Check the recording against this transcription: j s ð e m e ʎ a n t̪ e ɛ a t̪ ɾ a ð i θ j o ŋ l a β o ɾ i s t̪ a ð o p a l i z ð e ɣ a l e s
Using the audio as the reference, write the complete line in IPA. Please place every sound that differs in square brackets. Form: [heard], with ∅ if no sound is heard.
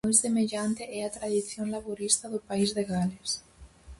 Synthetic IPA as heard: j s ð e m e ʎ a n t̪ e ɛ a t̪ ɾ a ð i θ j o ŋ l a β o ɾ i s t̪ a ð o p a [∅] i z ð e ɣ a l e s